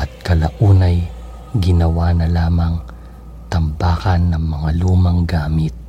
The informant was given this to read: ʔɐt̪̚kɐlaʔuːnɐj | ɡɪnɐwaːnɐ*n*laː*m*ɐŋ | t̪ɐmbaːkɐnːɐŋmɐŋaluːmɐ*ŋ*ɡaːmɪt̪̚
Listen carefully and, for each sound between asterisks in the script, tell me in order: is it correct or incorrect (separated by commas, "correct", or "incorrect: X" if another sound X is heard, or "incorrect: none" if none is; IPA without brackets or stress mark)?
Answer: incorrect: none, correct, correct